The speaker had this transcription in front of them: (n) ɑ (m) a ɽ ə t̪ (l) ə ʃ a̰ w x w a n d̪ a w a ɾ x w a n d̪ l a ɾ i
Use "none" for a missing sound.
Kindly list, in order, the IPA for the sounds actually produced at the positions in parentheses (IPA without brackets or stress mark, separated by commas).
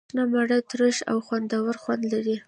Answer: n, m, ɾ